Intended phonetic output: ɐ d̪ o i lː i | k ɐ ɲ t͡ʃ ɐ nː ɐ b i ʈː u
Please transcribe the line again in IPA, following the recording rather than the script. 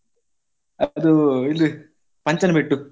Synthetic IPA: ɐ d̪ u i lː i | p ɐ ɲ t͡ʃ ɐ n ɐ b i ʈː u